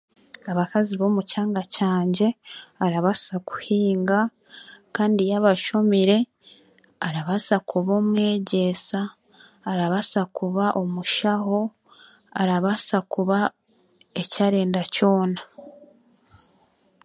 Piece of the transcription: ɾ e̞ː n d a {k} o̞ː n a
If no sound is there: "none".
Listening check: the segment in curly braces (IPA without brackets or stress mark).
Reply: c